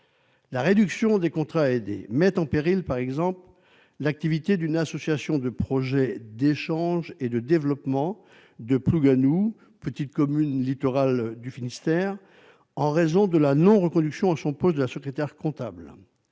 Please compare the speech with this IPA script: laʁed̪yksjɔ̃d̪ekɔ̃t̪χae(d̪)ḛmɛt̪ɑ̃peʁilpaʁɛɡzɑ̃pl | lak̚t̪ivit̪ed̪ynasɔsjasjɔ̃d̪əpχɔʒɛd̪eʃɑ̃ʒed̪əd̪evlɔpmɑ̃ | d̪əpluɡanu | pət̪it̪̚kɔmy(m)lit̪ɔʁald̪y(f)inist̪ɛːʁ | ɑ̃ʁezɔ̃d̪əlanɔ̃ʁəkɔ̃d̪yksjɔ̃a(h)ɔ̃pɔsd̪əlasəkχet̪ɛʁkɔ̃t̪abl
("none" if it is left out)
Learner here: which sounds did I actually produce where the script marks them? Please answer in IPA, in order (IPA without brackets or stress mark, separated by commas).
d̪, n, f, s